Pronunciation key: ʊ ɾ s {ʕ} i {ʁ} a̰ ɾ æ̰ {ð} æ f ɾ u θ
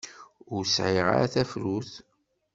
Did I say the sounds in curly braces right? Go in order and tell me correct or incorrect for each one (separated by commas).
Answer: correct, correct, incorrect